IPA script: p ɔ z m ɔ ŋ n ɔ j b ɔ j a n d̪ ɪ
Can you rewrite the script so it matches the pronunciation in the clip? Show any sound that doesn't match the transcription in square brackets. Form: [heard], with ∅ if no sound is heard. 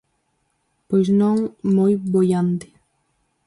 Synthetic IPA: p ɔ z [n] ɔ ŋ [m] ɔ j b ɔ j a n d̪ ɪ

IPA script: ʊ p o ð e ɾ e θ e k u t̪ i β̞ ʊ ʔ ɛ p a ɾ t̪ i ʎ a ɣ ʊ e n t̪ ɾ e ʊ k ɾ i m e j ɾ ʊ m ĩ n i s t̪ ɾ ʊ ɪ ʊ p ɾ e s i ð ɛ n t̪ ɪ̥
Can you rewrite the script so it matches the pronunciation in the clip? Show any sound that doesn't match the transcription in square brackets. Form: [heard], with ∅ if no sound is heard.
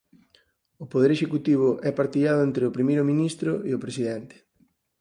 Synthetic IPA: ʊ p o ð e ɾ e [ʃ] e k u t̪ i β̞ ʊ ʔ ɛ p a ɾ t̪ i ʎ a [ð] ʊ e n t̪ ɾ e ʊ [p] ɾ i m e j ɾ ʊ m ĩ n i s t̪ ɾ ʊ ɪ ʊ p ɾ e s i ð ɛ n t̪ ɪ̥

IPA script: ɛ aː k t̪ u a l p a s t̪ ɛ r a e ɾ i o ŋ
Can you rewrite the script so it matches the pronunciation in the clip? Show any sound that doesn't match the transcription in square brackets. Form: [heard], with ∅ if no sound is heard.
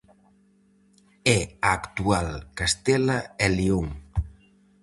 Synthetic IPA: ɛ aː k t̪ u a l [k] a s t̪ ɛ [l] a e [l] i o ŋ

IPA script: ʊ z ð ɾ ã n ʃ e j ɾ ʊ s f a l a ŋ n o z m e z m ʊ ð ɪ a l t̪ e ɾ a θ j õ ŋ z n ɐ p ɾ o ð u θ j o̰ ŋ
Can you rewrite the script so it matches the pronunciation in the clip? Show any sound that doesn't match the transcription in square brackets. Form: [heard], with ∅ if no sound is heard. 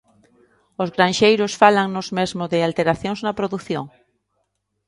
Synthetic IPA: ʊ z [ɣ] ɾ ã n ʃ e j ɾ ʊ s f a l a ŋ n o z m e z m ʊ ð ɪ a l t̪ e ɾ a θ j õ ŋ z n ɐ p ɾ o ð u θ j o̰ ŋ

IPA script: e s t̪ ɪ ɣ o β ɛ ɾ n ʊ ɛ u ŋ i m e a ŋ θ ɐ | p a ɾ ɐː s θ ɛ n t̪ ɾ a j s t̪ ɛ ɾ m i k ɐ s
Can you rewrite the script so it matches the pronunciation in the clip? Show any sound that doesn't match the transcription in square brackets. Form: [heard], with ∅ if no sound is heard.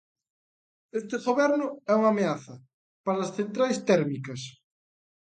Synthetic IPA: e s t̪ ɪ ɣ o β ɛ ɾ n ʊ ɛ u ŋ [a] m e a [∅] θ ɐ | p a ɾ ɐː s θ [e] n t̪ ɾ a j s t̪ ɛ ɾ m i k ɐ s

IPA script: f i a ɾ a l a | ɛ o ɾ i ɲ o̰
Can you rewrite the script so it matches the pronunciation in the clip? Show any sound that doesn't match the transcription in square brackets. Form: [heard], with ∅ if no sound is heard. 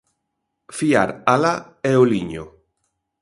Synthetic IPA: f i a ɾ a l a | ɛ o [l] i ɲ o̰

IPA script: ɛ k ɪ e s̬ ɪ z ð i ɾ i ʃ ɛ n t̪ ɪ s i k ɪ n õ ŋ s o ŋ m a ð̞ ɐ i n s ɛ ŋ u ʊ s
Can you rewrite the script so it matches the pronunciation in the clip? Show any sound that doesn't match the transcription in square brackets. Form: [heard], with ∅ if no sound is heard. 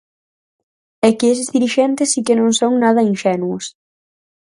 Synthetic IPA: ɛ k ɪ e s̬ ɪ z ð i ɾ i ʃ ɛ n t̪ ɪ s i k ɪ n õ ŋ s o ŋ [n] a ð̞ ɐ i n [ʃ] ɛ [n] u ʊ s

